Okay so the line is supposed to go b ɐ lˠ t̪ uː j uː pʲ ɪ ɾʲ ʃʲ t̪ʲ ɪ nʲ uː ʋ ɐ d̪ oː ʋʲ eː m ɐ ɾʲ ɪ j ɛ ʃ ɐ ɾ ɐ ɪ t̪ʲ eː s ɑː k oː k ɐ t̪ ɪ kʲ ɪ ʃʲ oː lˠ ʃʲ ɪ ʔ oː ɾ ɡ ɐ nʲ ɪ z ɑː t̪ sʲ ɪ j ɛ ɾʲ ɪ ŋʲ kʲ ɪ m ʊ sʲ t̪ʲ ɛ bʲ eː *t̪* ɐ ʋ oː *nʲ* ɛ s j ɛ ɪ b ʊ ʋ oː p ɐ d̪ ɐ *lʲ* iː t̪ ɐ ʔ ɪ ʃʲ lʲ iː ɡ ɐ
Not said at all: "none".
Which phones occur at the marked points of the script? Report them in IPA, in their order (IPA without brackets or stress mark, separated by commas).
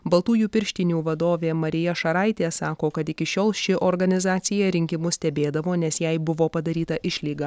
d̪, nʲ, ɾʲ